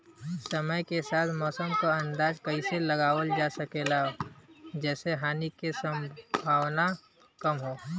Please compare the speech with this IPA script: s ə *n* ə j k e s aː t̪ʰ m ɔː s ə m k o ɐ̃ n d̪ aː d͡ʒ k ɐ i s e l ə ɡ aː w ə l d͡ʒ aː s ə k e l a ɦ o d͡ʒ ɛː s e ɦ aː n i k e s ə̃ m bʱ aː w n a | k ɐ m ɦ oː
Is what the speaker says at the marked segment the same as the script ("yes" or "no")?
no